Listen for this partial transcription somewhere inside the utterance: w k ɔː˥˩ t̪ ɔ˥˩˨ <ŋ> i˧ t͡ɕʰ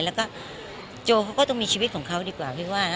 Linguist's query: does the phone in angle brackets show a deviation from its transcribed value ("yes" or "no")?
yes